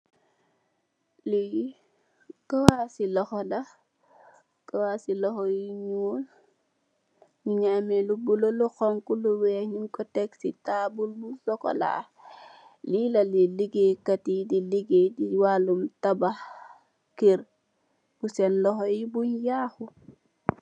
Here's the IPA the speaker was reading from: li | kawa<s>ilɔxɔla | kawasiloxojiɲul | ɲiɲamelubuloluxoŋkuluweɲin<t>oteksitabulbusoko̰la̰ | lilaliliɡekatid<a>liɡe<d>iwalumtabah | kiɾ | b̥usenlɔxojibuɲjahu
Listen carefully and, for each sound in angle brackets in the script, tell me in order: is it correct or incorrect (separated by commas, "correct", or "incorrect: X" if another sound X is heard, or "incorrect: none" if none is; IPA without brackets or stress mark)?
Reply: correct, incorrect: k, incorrect: i, correct